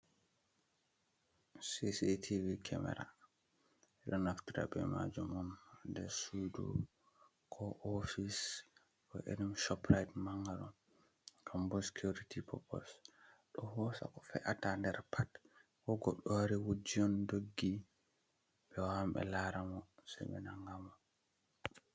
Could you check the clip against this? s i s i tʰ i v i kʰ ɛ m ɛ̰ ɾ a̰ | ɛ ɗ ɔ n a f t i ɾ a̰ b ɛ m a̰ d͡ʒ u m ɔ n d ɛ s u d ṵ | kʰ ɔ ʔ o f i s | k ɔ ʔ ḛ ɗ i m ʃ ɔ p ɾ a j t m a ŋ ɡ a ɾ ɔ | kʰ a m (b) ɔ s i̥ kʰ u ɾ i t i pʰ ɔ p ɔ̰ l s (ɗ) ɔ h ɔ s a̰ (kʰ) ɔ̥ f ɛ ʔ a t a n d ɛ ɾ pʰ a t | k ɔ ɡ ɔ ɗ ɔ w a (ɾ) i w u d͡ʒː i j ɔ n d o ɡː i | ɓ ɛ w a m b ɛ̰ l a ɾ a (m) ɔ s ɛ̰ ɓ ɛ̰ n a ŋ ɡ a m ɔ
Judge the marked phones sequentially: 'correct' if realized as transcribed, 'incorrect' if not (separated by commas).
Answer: correct, correct, incorrect, correct, correct